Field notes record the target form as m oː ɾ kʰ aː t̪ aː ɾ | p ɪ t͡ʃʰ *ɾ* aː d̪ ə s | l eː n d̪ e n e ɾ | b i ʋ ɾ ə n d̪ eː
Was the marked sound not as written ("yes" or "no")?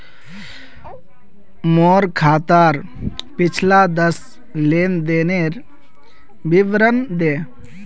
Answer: yes